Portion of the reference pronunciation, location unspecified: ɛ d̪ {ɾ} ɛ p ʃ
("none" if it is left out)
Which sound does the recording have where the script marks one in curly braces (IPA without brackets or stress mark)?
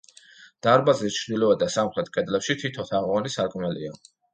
l